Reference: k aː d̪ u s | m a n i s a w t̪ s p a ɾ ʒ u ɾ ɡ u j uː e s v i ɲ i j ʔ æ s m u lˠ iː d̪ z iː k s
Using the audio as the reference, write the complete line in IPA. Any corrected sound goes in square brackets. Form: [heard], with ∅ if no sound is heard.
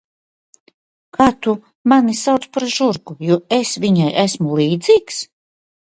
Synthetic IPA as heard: k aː [t̪] u [∅] | m a n i s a w t̪ s p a ɾ ʒ u ɾ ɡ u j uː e s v i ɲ [a] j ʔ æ s m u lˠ iː d̪ z iː k s